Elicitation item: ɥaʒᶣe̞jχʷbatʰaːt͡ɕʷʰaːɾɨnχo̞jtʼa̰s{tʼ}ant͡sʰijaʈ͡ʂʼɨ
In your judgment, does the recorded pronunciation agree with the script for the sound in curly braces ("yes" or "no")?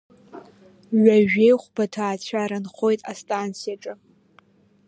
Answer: yes